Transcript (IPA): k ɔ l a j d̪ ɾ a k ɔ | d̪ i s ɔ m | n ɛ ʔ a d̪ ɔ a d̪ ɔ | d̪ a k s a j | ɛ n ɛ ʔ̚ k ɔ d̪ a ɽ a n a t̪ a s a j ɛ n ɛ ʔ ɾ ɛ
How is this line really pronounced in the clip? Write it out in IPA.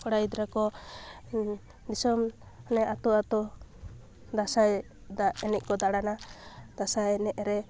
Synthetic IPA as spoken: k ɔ ɽ a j d̪ ɾ a k ɔ | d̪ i s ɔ m | n ɛ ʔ a t̪ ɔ a t̪ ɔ | d̪ a s a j | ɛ n ɛ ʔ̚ k ɔ d̪ a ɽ a n a d̪ a s a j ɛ n ɛ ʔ ɾ ɛ